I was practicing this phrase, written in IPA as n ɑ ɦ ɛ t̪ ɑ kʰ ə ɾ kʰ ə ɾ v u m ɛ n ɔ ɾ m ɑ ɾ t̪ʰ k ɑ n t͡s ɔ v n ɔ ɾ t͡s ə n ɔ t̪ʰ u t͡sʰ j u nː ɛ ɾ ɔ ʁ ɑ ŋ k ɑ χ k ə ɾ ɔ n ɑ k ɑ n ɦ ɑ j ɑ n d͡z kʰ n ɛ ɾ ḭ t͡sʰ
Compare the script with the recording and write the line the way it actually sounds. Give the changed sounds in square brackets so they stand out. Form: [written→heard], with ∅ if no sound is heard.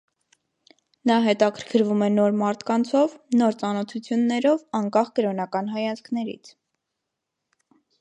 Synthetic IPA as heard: n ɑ ɦ ɛ t̪ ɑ kʰ ə ɾ kʰ ə ɾ v u m ɛ n ɔ ɾ m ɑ ɾ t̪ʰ k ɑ n [t͡s→t͡sʰ] ɔ v n ɔ ɾ t͡s [ə→ɑ] n ɔ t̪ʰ u t͡sʰ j u nː ɛ ɾ ɔ [ʁ→v] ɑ ŋ k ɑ χ k ə ɾ ɔ n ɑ k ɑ n ɦ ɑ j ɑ n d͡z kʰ n ɛ ɾ ḭ t͡sʰ